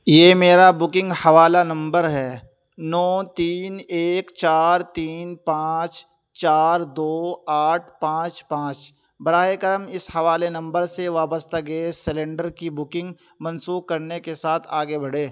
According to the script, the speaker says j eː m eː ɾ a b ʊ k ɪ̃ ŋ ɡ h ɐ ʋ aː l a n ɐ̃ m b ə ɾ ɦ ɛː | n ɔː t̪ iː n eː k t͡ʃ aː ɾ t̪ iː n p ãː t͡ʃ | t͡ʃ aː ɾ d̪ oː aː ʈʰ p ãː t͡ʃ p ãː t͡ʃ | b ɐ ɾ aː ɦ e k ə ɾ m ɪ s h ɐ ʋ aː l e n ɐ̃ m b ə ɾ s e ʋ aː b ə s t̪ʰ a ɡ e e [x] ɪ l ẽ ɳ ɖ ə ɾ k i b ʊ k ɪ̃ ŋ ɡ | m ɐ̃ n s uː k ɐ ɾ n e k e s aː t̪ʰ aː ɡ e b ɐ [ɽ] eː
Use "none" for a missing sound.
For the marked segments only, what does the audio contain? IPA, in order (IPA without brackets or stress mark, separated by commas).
s, ɽ